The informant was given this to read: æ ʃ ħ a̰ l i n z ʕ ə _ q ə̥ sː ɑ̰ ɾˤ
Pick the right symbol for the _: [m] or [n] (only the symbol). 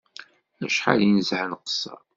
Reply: n